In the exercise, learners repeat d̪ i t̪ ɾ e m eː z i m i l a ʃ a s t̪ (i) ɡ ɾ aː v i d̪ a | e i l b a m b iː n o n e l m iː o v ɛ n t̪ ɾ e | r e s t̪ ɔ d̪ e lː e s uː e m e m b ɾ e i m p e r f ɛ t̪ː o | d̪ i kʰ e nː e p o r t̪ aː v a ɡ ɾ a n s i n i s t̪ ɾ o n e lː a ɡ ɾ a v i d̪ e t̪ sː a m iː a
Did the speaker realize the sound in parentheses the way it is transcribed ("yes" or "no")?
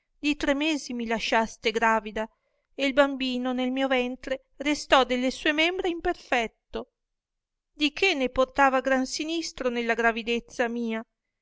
no